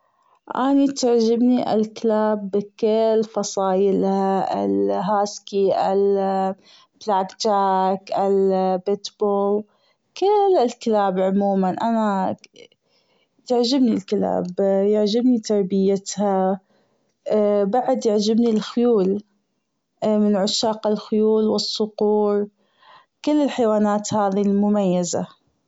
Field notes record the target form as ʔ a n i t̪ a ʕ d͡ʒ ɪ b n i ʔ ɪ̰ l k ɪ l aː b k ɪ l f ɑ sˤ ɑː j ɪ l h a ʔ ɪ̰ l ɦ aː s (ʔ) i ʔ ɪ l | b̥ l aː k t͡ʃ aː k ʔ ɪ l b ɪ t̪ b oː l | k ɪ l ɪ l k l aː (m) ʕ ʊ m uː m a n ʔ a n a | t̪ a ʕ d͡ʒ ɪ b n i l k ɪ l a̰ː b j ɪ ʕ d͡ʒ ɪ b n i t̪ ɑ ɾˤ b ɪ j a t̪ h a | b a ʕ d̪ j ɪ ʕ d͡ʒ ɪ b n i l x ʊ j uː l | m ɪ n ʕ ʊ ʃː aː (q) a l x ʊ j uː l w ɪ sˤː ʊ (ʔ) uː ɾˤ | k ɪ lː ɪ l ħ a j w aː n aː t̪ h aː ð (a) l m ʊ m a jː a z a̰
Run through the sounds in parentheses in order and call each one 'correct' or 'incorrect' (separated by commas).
incorrect, incorrect, correct, incorrect, incorrect